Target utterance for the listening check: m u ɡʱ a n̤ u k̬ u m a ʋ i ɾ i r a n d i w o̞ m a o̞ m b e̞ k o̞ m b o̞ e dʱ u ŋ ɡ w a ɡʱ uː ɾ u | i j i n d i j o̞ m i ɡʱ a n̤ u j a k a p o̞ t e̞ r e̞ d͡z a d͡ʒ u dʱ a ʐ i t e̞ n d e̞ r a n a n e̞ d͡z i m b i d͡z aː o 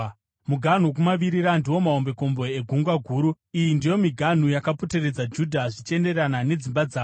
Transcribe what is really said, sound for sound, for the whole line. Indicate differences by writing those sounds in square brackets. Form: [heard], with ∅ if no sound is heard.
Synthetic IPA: m u ɡʱ a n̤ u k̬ u m a ʋ i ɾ i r a n d i w o̞ m a o̞ m b e̞ k o̞ m b o̞ e [ɡʱ] u ŋ ɡ w a ɡʱ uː ɾ u | i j i n d i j o̞ m i ɡʱ a n̤ u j a k a p o̞ t e̞ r e̞ d͡z a d͡ʒ u dʱ a ʐ i [t͡ʃ] e̞ n d e̞ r a n a n e̞ d͡z i m b [a] d͡z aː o